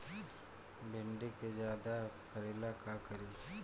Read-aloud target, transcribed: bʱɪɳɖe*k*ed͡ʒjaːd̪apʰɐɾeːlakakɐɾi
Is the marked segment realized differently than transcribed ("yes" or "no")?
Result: no